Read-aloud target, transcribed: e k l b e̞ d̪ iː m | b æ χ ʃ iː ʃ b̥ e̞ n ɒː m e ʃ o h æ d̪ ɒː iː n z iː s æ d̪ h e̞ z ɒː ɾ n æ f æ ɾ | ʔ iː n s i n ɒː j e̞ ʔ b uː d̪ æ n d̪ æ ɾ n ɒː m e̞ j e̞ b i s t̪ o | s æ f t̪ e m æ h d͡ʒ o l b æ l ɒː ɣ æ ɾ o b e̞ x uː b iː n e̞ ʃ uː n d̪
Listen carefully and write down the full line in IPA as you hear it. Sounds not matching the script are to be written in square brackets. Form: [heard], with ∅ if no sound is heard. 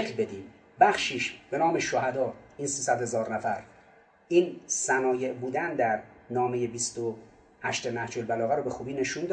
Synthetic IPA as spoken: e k l b e̞ d̪ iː m | b æ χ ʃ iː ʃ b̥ e̞ n ɒː m e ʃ o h æ d̪ ɒː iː n [s] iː s æ d̪ h e̞ z ɒː ɾ n æ f æ ɾ | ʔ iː n s [æ] n ɒː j e̞ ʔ b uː d̪ æ n d̪ æ ɾ n ɒː m e̞ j e̞ b i s t̪ o | [h] æ [ʃ] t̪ e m æ h d͡ʒ o l b æ l ɒː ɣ æ ɾ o b e̞ x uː b iː n e̞ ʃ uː n d̪